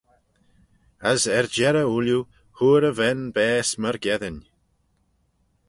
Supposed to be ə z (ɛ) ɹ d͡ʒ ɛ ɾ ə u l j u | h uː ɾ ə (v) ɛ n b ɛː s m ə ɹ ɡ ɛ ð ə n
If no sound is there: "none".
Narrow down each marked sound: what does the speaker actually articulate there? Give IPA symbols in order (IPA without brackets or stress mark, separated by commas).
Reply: ɛ, v